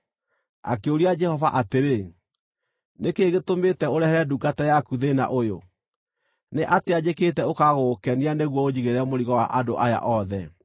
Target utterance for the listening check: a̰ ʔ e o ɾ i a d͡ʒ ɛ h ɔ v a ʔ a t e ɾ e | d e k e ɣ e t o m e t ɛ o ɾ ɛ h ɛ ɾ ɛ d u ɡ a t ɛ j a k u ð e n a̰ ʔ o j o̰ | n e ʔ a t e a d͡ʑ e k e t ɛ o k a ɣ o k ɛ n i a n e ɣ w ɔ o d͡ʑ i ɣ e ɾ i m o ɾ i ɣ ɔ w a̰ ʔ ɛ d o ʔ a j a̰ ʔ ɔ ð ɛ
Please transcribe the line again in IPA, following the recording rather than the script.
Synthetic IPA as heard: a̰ k e o ɾ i a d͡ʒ ɛ h ɔ v a ʔ a t e ɾ e | n e k e ɣ e t o m e t ɛ o ɾ ɛ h ɛ ɾ ɛ d u ɡ a t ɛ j a k u ð e n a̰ ʔ o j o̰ | n e ʔ a t e a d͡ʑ e k e t ɛ o k a ɣ o k ɛ n i a n e ɣ w ɔ o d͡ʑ i ɣ e ɾ ɛ m o ɾ i ɣ ɔ w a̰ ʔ a d o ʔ a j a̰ ʔ ɔ ð ɛ